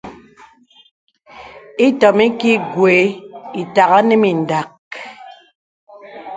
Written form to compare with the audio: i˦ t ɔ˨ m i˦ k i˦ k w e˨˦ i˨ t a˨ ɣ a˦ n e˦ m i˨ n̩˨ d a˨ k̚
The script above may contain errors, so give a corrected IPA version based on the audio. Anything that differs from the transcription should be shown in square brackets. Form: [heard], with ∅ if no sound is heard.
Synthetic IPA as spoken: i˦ t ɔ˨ m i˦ k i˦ [ɡ] w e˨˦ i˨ t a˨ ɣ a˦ n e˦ m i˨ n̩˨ d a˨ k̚